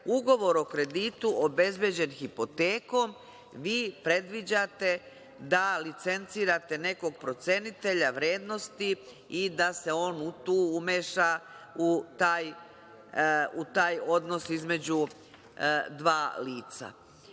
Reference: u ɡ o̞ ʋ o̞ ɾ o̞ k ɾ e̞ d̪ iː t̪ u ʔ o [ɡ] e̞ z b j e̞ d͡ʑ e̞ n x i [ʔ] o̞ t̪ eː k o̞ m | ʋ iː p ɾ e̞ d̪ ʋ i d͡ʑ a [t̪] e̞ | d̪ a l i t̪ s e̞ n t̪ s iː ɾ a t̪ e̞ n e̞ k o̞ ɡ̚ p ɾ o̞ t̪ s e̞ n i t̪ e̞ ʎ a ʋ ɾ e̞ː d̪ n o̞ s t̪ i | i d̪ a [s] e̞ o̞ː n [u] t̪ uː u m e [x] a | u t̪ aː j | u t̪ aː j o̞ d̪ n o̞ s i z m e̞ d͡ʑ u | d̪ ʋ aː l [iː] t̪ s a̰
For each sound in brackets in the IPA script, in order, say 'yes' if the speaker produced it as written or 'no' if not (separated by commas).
no, no, yes, yes, yes, no, yes